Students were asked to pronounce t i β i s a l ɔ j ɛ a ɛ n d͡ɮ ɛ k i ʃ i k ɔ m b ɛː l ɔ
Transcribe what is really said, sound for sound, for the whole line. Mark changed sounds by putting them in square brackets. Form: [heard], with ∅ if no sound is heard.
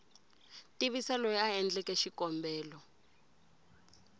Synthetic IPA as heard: t i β i s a l ɔ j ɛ a ɛ n d͡ɮ ɛ k [ɛ] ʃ i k ɔ m b ɛː l ɔ